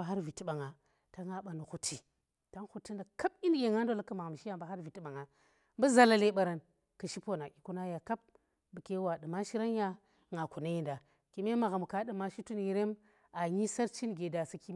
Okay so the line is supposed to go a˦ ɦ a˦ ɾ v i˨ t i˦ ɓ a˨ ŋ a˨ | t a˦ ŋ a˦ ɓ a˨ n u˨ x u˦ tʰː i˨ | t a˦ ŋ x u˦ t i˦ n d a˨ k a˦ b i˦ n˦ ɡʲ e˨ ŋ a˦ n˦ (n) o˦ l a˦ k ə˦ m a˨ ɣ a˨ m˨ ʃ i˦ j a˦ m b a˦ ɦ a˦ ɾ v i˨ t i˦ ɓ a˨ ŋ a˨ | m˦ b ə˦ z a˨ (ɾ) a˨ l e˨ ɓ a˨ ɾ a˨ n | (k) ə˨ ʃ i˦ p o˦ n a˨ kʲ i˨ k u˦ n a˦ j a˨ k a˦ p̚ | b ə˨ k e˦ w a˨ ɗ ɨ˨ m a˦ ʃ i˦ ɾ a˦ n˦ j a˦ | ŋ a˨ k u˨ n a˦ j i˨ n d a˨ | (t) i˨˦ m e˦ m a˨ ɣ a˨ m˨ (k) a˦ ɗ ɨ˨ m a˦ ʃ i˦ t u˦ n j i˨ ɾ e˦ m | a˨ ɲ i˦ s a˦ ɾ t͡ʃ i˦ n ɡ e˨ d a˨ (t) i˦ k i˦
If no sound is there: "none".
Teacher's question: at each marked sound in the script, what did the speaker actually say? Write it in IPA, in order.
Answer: d, l, k, k, k, s

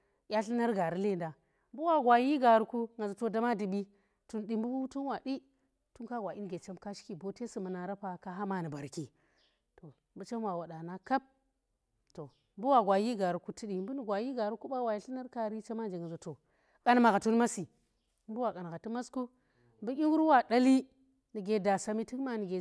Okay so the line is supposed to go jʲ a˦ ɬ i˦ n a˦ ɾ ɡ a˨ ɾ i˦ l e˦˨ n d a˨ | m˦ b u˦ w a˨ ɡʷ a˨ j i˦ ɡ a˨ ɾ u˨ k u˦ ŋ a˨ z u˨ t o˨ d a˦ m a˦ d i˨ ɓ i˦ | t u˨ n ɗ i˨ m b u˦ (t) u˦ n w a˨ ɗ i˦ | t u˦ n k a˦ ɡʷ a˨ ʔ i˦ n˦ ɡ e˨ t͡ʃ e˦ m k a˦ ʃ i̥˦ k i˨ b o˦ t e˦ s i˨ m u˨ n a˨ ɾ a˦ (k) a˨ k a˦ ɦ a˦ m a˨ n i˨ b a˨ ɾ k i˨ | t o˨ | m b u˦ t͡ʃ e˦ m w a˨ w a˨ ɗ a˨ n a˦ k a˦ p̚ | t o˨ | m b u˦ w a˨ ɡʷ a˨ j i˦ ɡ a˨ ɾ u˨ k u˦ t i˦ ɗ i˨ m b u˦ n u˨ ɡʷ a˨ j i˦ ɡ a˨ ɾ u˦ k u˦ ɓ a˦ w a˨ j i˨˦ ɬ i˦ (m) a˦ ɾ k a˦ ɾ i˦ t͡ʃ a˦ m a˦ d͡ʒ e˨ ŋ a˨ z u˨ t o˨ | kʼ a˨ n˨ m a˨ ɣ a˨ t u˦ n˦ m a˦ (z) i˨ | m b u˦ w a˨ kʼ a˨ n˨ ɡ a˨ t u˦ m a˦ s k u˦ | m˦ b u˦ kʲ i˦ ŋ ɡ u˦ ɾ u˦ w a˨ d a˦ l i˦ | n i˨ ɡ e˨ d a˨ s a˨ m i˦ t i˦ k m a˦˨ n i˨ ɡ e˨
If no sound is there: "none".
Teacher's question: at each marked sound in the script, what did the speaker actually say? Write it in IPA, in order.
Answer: t, p, n, s

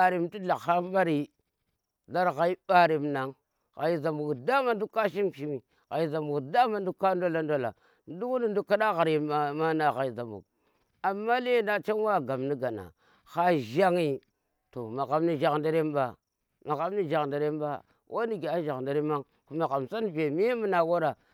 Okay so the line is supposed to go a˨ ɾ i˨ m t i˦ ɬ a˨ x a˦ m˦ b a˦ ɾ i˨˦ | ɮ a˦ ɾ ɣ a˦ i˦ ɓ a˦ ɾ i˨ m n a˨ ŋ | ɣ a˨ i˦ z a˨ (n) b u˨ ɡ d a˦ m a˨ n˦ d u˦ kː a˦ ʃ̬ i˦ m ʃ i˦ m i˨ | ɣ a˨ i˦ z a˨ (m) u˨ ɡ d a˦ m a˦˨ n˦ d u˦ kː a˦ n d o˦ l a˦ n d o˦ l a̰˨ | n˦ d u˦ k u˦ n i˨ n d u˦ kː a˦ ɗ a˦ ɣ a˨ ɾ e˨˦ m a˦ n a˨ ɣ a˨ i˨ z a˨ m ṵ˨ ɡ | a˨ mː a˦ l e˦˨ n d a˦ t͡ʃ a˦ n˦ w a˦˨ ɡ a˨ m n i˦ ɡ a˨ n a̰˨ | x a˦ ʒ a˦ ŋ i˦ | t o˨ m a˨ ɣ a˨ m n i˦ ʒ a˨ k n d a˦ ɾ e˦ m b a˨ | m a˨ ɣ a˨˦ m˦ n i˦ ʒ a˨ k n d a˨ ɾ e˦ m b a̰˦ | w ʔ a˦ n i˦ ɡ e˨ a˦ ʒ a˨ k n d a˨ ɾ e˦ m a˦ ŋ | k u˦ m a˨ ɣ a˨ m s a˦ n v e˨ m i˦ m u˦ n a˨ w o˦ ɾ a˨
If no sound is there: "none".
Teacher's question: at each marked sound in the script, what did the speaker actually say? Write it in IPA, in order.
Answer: m, m

